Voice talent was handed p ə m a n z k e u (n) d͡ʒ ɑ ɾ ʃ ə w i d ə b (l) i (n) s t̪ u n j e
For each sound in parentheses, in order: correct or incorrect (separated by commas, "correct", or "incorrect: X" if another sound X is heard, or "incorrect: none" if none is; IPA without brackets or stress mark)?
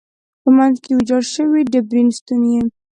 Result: incorrect: none, incorrect: ɾ, correct